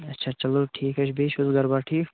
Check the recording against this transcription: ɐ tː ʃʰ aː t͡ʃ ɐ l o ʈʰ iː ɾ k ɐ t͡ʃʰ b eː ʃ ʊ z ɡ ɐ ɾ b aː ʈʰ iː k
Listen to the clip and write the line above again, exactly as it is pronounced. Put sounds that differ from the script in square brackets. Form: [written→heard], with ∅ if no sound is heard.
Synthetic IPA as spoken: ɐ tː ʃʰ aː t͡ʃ ɐ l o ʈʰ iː [ɾ→∅] k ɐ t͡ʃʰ b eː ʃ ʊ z ɡ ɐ ɾ b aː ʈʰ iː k